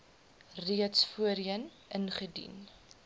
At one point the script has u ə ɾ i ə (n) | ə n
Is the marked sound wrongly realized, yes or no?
no